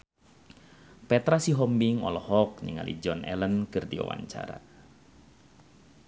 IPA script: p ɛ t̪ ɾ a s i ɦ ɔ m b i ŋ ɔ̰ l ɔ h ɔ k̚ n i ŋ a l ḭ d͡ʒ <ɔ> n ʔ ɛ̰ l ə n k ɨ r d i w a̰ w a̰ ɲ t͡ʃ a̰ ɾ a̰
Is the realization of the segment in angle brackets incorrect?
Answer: no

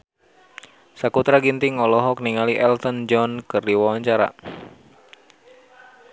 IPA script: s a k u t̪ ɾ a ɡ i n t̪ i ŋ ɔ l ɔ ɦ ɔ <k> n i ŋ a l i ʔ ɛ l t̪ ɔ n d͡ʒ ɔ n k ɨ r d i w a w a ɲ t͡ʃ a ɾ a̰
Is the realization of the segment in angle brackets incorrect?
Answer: no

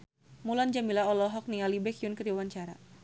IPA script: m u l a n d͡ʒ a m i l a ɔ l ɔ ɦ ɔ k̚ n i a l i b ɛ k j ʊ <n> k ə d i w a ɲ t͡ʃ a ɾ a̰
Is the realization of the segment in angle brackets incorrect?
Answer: no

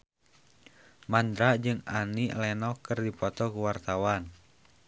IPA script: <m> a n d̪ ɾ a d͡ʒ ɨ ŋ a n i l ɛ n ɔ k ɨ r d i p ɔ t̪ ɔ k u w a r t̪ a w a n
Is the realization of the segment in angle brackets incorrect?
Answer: no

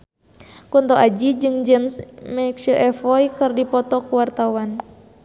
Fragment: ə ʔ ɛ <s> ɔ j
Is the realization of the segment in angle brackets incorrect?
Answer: yes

